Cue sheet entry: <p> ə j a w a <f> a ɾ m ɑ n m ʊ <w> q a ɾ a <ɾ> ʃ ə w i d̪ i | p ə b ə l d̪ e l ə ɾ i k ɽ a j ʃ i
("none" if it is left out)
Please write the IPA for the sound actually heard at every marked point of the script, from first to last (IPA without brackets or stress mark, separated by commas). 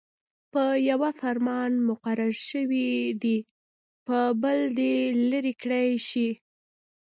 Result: p, f, none, ɾ